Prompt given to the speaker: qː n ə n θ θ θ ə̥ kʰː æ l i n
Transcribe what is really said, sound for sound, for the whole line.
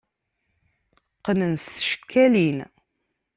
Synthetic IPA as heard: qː n ə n s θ ʃ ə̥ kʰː æ l i n